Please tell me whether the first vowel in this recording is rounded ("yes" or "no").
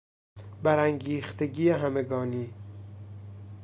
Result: no